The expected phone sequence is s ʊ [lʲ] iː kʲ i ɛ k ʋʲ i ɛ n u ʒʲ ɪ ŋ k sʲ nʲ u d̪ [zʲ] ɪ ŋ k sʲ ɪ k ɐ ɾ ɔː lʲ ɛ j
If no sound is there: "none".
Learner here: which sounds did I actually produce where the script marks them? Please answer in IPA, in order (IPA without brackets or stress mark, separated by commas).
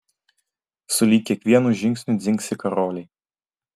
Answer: lʲ, zʲ